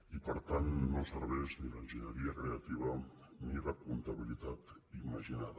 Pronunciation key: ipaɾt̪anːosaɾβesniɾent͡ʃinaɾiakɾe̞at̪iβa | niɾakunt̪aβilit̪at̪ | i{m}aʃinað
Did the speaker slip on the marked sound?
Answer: no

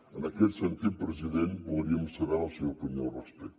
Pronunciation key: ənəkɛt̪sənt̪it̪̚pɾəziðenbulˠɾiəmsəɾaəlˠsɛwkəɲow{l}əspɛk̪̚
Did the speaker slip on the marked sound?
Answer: yes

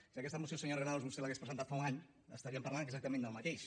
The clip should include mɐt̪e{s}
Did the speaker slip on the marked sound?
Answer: yes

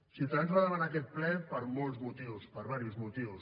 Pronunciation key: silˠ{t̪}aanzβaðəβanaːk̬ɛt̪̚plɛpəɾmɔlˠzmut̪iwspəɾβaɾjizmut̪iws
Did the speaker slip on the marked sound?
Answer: no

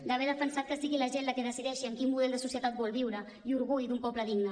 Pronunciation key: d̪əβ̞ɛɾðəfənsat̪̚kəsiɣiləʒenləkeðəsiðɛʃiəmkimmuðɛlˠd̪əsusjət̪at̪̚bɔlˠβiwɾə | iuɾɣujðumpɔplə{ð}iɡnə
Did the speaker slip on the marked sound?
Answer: no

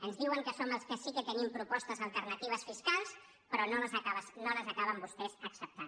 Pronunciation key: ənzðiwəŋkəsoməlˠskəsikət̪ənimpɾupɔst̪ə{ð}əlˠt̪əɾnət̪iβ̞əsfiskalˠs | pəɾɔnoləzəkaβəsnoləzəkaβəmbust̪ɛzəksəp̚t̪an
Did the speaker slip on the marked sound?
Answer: yes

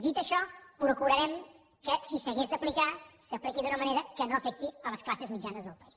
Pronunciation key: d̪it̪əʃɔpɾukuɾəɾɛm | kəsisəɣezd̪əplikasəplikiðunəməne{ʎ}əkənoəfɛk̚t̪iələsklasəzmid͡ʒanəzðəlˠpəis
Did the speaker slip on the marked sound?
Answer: yes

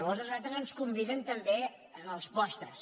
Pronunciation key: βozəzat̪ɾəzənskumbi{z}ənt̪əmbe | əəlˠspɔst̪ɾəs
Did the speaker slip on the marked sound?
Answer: yes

